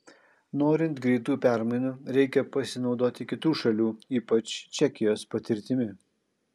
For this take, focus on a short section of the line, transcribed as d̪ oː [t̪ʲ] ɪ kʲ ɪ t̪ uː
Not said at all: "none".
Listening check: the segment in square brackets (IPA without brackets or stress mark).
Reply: t̪ʲ